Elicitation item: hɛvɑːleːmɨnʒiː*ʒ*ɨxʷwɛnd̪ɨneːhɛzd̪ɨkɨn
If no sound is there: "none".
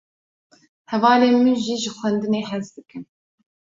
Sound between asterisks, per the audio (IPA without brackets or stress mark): ʒ